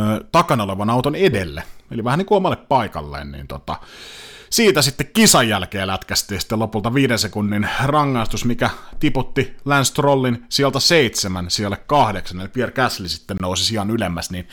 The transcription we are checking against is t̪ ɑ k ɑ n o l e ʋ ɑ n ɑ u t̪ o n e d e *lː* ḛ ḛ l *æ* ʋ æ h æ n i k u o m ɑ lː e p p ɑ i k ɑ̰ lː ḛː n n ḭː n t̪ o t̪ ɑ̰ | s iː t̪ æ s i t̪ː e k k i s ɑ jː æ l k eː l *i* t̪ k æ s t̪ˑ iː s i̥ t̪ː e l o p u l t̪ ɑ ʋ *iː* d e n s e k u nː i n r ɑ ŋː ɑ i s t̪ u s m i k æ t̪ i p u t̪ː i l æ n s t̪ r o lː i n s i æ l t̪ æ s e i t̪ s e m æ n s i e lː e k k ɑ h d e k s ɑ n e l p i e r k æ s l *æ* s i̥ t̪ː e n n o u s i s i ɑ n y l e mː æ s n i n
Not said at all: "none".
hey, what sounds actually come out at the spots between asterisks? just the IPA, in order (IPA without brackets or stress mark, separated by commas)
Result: lː, i, æ, iː, i